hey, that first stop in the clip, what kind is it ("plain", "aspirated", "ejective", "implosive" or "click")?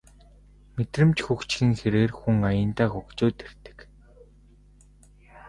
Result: plain